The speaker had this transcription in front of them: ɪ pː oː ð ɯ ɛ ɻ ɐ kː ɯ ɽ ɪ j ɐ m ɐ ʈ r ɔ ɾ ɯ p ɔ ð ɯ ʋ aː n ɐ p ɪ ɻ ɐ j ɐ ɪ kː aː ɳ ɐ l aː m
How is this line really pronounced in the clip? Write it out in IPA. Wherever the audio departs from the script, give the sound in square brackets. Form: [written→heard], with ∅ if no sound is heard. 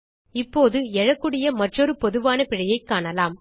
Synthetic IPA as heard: ɪ pː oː ð ɯ ɛ ɻ ɐ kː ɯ ɽ ɪ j ɐ m ɐ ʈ r ɔ ɾ ɯ p ɔ ð ɯ ʋ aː n ɐ p ɪ ɻ ɐ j ɐ ɪ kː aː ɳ ɐ l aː m

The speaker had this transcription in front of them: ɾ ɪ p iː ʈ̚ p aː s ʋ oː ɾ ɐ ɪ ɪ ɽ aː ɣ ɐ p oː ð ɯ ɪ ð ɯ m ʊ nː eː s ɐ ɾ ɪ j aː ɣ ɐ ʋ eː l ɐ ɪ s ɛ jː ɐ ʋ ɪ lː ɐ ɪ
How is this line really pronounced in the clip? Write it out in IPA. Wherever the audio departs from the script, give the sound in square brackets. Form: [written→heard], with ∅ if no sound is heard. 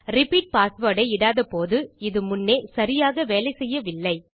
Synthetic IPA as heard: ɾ ɪ p iː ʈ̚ p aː s ʋ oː [ɾ→ɽ] ɐ ɪ ɪ ɽ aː [ɣ→ð] ɐ p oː ð ɯ ɪ ð ɯ m ʊ nː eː s ɐ ɾ ɪ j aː ɣ ɐ ʋ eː l ɐ ɪ s ɛ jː ɐ ʋ ɪ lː ɐ ɪ

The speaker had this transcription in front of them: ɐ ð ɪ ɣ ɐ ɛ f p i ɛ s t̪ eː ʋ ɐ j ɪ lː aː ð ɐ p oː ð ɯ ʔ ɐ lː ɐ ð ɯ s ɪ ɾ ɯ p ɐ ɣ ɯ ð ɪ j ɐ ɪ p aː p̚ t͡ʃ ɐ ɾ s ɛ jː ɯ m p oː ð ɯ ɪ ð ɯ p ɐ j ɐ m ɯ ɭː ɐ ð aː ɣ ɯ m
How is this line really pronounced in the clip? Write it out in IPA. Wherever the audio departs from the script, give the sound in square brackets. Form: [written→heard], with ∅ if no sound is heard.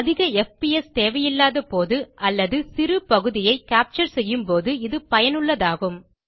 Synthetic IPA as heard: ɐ ð ɪ ɣ ɐ ɛ f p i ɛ s t̪ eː ʋ ɐ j ɪ lː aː ð ɐ p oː ð ɯ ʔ ɐ lː ɐ ð ɯ s ɪ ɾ ɯ p ɐ ɣ ɯ ð ɪ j ɐ ɪ [p→k] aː p̚ t͡ʃ ɐ ɾ s ɛ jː ɯ m p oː ð ɯ ɪ ð ɯ p ɐ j ɐ [m→n] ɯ ɭː ɐ ð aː ɣ ɯ m

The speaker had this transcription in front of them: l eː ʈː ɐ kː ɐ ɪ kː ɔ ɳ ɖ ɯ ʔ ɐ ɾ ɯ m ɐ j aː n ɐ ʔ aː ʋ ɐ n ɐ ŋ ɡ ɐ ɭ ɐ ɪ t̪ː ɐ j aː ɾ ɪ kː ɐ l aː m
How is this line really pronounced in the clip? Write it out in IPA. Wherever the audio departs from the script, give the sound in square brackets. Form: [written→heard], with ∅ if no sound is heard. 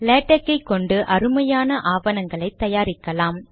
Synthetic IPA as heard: l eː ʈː ɐ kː ɐ ɪ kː ɔ ɳ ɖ ɯ ʔ ɐ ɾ ɯ m ɐ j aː n ɐ ʔ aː ʋ ɐ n ɐ ŋ ɡ ɐ ɭ ɐ ɪ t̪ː ɐ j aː ɾ ɪ kː ɐ l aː m

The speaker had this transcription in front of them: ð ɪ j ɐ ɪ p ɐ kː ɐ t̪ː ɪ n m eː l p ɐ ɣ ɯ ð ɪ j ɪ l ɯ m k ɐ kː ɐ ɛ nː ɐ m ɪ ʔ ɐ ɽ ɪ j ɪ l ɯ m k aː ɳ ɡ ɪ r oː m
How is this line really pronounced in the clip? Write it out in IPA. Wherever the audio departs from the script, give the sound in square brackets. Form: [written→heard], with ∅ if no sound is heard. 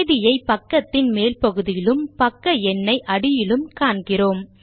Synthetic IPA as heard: ð ɪ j ɐ ɪ p ɐ kː ɐ t̪ː ɪ n m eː l p ɐ ɣ ɯ ð ɪ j ɪ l ɯ m [k→p] ɐ kː ɐ ɛ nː ɐ [m→∅] ɪ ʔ ɐ ɽ ɪ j ɪ l ɯ m k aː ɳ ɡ ɪ r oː m

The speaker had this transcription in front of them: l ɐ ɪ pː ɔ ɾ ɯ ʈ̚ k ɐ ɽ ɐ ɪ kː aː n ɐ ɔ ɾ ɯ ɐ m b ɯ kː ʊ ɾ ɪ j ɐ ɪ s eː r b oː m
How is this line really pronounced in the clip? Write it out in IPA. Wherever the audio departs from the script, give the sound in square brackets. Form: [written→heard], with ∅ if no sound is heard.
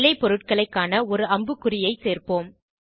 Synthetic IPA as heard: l ɐ ɪ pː ɔ ɾ ɯ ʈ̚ k ɐ [ɽ→ɭ] ɐ ɪ kː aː n ɐ ɔ ɾ ɯ ɐ m b ɯ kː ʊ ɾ ɪ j ɐ ɪ s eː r [b→p] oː m

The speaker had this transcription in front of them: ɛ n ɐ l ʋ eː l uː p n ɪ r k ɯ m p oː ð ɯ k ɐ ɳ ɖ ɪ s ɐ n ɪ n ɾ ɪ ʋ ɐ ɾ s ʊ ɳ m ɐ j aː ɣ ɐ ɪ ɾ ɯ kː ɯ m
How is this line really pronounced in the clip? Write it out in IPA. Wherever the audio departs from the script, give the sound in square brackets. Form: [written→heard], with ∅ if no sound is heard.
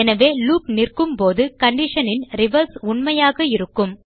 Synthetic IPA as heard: ɛ n ɐ [l→∅] ʋ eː l uː p n ɪ r k ɯ m p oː ð ɯ k ɐ ɳ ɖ ɪ [s→ʂ] ɐ n ɪ n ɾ ɪ ʋ ɐ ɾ s ʊ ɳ m ɐ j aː ɣ ɐ ɪ ɾ ɯ kː ɯ m

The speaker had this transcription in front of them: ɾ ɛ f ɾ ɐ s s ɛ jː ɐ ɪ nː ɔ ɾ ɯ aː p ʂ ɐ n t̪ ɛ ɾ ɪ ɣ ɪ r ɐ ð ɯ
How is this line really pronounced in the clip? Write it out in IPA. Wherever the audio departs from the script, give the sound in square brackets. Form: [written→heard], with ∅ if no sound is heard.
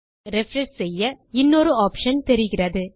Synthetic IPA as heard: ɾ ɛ f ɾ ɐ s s ɛ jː ɐ ɪ nː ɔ ɾ ɯ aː p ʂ ɐ n t̪ ɛ ɾ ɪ ɣ ɪ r ɐ ð ɯ

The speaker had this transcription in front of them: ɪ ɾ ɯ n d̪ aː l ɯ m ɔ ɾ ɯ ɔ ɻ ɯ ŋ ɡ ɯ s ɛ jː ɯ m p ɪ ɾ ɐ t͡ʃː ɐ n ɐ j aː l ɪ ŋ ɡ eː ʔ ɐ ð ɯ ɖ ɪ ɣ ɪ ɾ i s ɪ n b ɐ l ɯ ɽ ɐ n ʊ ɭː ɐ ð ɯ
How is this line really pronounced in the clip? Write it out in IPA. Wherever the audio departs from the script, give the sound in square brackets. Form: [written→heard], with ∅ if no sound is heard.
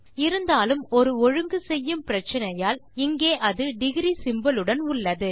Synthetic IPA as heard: ɪ ɾ ɯ n d̪ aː l ɯ m ɔ ɾ ɯ ɔ ɻ ɯ ŋ ɡ ɯ s ɛ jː ɯ m p ɪ ɾ ɐ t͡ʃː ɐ n ɐ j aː l ɪ ŋ ɡ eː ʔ ɐ ð ɯ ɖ ɪ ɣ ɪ ɾ i s ɪ [n→m] b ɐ l ɯ ɽ ɐ n ʊ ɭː ɐ ð ɯ

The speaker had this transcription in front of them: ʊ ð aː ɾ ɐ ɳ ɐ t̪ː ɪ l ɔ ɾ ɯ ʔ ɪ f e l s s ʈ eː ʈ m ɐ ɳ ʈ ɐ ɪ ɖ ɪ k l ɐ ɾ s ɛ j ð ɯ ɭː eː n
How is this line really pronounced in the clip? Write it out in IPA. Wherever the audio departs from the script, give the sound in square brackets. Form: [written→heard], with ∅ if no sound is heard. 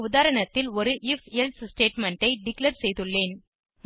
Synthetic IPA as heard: ʊ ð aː ɾ ɐ ɳ ɐ t̪ː ɪ l ɔ ɾ ɯ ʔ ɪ f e l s s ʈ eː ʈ m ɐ ɳ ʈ ɐ ɪ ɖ ɪ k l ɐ ɾ s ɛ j ð ɯ ɭː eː n

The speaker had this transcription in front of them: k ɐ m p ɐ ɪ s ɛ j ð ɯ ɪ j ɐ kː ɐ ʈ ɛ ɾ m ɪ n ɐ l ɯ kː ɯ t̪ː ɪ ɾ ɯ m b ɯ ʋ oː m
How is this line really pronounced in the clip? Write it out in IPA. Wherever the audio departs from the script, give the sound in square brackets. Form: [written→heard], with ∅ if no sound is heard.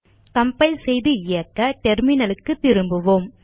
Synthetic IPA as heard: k ɐ m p ɐ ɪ s ɛ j ð ɯ ɪ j ɐ kː ɐ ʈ ɛ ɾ m ɪ n ɐ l ɯ kː ɯ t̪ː ɪ ɾ ɯ m b ɯ ʋ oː m

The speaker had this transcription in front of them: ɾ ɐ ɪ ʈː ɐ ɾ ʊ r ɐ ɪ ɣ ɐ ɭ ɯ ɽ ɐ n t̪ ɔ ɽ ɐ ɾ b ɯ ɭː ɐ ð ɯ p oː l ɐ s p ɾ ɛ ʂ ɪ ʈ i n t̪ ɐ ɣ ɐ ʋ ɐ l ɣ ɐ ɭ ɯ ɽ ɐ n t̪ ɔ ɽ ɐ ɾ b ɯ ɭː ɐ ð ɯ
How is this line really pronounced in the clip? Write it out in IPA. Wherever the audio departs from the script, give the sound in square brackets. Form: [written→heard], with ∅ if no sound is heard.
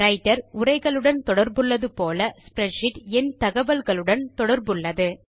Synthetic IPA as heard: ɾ ɐ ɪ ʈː ɐ ɾ ʊ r ɐ ɪ ɣ ɐ ɭ ɯ ɽ ɐ n t̪ ɔ ɽ ɐ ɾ b ɯ ɭː ɐ ð ɯ p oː l ɐ s p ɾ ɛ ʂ ɪ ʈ [i→ɛ] n t̪ ɐ ɣ ɐ ʋ ɐ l ɣ ɐ ɭ ɯ ɽ ɐ n t̪ ɔ ɽ ɐ ɾ b ɯ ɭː ɐ ð ɯ

